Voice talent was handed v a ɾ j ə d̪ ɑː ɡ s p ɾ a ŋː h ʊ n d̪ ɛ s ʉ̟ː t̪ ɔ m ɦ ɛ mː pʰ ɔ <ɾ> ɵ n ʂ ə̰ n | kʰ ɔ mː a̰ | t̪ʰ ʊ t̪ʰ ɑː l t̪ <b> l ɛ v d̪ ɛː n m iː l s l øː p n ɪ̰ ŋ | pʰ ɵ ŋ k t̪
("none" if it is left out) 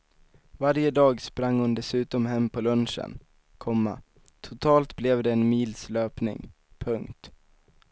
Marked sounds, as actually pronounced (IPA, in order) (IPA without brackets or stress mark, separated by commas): l, b